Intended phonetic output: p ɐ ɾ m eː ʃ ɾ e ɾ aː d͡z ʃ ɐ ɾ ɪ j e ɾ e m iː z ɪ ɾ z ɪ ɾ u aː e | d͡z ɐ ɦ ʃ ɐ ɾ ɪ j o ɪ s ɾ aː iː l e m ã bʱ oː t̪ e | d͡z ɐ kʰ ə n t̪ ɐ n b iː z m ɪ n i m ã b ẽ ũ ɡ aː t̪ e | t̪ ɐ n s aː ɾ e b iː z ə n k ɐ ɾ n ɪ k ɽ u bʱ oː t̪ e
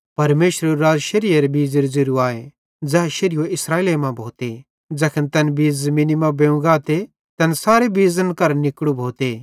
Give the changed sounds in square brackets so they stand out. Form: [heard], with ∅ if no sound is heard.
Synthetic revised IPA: p ɐ ɾ m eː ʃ ɾ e ɾ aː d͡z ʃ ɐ ɾ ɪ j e ɾ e [b] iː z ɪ ɾ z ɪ ɾ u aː e | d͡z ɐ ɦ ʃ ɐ ɾ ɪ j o ɪ s ɾ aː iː l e m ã bʱ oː t̪ e | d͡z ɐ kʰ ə n t̪ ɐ n b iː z m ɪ n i m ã b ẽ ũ ɡ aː t̪ e | t̪ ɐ n s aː ɾ e b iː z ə n k ɐ ɾ n ɪ k ɽ u bʱ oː t̪ e